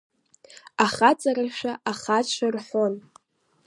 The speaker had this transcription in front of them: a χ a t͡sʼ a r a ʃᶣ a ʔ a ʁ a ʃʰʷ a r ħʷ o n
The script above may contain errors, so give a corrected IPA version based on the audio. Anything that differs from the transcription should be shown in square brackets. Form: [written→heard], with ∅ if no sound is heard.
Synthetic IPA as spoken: a χ a t͡sʼ a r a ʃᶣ a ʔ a [ʁ→χ] a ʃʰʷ a r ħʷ o n